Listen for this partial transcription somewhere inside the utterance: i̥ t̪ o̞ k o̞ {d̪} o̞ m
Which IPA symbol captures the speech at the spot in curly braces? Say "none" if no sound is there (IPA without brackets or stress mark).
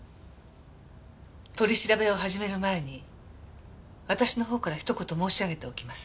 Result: t̪